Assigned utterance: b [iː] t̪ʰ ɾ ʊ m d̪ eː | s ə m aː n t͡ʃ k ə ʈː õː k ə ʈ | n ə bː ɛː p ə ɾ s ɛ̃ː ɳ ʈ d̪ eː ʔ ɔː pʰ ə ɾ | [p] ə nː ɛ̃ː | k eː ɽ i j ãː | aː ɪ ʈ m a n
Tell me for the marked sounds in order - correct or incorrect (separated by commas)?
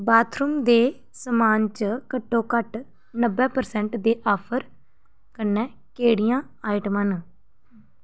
incorrect, incorrect